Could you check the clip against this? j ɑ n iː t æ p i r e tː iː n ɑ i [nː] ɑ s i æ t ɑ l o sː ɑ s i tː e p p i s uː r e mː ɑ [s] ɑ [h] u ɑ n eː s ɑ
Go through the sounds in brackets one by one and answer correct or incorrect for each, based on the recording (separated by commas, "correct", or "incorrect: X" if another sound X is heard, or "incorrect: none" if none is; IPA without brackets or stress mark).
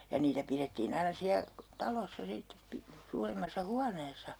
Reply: incorrect: n, incorrect: sː, correct